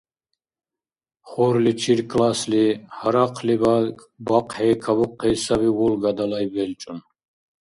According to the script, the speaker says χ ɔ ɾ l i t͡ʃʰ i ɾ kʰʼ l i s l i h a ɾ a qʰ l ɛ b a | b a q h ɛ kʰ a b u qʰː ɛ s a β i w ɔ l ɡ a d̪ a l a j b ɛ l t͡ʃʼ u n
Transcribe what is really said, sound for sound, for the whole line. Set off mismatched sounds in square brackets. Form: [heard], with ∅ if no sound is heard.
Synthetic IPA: χ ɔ ɾ l i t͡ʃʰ i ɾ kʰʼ l [a] s l i h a ɾ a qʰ l [i] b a | b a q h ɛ kʰ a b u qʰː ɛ s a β i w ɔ l ɡ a d̪ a l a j b ɛ l t͡ʃʼ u n